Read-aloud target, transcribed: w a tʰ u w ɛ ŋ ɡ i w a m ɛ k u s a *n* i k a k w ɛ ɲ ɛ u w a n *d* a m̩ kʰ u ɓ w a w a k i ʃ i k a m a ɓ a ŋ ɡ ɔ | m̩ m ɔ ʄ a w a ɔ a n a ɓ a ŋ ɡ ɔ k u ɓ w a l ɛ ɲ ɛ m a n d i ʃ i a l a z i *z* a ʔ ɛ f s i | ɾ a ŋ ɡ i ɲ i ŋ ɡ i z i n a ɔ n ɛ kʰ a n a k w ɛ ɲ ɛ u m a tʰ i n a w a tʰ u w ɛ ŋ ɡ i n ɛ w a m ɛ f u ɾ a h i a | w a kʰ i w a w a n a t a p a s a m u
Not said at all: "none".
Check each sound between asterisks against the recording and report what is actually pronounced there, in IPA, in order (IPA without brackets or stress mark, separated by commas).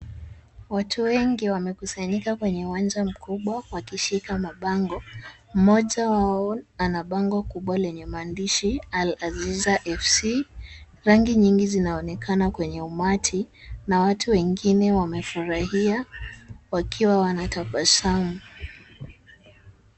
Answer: ɲ, d͡ʒ, z